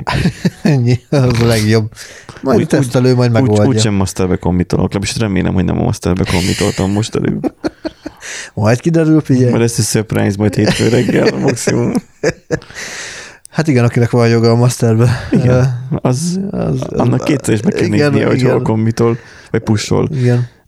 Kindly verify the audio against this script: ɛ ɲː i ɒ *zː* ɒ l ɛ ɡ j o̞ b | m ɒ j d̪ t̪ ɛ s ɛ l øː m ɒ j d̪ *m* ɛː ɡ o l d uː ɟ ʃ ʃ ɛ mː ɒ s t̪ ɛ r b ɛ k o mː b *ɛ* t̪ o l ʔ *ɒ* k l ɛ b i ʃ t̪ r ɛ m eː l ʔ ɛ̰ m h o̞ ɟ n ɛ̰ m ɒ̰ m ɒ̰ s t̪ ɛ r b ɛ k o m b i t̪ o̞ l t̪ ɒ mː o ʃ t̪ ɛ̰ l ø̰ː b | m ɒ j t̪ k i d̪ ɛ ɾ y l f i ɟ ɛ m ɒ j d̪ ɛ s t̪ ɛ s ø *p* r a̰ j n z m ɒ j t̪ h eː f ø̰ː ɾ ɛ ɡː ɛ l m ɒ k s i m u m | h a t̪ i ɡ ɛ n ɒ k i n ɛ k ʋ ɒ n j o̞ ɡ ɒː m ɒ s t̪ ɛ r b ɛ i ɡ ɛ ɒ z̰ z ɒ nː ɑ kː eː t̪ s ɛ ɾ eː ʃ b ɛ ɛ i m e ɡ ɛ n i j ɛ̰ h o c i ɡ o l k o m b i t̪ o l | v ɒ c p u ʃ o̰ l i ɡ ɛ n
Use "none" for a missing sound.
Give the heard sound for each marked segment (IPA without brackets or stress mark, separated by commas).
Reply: z, m, i, o, p